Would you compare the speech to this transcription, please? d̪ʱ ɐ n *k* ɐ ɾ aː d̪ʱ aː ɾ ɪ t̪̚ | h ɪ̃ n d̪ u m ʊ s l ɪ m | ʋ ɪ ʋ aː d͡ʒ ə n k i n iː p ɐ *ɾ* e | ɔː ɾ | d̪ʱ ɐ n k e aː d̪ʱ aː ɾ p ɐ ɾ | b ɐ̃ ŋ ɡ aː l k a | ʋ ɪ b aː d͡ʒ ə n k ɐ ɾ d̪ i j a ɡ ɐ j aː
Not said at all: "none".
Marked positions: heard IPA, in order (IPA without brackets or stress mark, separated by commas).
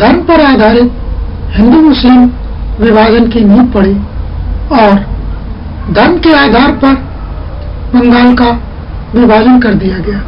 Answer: p, ɽ